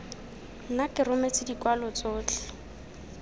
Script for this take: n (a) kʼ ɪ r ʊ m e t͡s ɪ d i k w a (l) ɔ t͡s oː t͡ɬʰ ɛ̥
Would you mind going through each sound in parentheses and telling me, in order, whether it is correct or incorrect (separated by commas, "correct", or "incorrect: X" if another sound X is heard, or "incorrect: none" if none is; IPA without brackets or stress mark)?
correct, correct